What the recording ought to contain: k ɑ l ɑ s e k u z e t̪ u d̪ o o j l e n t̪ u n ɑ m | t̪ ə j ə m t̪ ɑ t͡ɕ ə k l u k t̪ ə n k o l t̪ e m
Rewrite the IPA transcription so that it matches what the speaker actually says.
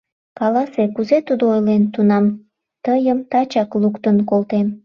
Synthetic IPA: k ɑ l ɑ s e k u z e t̪ u d̪ o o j l e n t̪ u n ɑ m | t̪ ə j ə m t̪ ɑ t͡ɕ ɑ k l u k t̪ ə n k o l t̪ e m